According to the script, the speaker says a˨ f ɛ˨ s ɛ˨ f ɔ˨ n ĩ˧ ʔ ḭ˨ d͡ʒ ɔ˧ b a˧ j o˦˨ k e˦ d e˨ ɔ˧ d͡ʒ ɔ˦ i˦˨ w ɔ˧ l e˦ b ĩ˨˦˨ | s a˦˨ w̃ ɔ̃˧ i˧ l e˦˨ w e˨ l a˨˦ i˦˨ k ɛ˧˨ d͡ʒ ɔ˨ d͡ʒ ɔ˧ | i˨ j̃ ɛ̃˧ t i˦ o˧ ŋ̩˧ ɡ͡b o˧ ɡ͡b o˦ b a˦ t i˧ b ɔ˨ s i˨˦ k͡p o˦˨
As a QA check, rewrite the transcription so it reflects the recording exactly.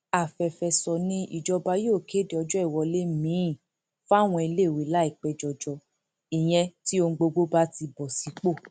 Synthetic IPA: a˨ f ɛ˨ f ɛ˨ s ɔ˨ n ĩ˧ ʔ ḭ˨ d͡ʒ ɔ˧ b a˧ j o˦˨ k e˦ d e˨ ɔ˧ d͡ʒ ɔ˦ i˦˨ w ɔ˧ l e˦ m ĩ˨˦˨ | f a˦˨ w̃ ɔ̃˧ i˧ l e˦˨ w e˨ l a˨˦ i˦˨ k͡p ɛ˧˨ d͡ʒ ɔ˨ d͡ʒ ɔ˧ | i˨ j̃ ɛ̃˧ t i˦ o˧ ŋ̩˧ ɡ͡b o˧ ɡ͡b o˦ b a˦ t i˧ b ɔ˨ s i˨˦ k͡p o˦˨

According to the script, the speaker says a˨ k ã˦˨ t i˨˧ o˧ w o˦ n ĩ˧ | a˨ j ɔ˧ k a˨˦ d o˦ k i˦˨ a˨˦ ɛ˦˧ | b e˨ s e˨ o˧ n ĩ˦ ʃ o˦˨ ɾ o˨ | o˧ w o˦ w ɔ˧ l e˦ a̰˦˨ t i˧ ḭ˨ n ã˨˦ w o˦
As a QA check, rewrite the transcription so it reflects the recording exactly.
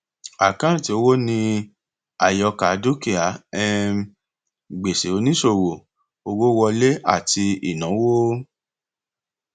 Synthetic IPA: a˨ k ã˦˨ t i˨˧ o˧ w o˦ n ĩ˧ | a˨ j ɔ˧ k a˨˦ d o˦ k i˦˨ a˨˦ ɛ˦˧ | ɡ͡b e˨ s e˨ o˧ n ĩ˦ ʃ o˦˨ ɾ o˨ | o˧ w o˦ w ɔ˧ l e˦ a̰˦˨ t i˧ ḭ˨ n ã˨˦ w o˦

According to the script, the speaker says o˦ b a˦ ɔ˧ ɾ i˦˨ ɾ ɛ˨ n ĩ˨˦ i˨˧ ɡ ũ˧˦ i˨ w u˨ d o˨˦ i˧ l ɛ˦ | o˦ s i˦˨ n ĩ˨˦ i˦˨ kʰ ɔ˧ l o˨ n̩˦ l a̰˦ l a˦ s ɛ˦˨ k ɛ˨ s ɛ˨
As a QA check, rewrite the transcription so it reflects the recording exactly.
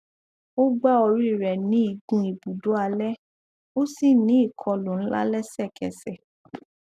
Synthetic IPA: o˦ ɡ͡b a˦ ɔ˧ ɾ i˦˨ ɾ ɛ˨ n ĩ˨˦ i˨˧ ɡ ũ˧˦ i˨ b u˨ d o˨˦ a˧ l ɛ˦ | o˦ s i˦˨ n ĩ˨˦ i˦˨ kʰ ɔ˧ l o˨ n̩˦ l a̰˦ l ɛ˦ s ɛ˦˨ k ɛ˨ s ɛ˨

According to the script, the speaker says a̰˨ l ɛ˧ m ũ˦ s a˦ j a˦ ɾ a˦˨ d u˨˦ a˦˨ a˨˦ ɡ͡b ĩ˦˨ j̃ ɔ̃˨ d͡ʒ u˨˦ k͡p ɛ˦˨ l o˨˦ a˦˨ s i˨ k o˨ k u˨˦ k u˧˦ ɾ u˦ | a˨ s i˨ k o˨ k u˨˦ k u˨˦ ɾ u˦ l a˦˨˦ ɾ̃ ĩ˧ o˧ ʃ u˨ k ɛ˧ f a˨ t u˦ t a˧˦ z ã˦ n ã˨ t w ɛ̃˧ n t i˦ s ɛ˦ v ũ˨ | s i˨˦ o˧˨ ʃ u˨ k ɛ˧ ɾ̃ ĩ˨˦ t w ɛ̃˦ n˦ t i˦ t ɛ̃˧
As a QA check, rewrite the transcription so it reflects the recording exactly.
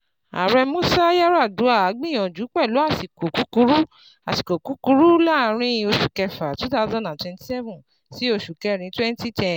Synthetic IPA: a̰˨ ɾ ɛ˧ m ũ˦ s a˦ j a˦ ɾ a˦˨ d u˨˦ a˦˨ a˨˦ ɡ͡b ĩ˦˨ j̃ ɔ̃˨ d͡ʒ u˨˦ k͡p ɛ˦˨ l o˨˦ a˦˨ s i˨ k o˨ k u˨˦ k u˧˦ ɾ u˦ | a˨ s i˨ k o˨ k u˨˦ k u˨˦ ɾ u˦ l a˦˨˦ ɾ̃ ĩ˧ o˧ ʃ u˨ k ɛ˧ f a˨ t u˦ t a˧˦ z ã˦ n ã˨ t w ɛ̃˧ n t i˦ s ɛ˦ v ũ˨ | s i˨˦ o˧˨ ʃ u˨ k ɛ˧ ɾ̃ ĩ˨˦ t w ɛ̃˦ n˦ t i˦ t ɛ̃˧

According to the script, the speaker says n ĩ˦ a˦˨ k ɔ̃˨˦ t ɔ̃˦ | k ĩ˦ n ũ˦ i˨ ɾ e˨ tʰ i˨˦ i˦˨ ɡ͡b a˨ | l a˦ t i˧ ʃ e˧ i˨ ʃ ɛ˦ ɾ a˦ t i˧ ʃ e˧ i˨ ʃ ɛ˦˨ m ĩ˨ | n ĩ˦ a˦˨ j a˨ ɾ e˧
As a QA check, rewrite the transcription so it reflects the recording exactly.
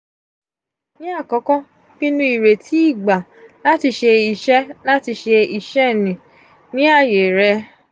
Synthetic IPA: n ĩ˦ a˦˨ k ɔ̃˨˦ k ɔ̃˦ | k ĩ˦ n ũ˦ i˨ ɾ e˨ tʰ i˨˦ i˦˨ ɡ͡b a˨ | l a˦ t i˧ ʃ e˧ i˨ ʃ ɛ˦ l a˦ t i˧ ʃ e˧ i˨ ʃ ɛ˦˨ n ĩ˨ | n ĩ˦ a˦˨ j e˨ ɾ ɛ˧

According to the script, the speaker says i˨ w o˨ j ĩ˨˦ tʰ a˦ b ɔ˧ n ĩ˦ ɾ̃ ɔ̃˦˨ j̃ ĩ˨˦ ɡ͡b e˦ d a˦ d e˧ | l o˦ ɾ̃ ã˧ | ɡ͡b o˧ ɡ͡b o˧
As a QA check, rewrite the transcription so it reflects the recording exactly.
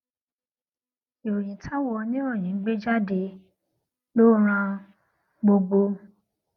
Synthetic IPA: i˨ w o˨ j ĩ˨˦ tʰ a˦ w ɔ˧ n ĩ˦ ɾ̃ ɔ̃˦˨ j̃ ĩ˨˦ ɡ͡b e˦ d͡ʒ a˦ d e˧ | l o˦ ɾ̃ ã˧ | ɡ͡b o˧ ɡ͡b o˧

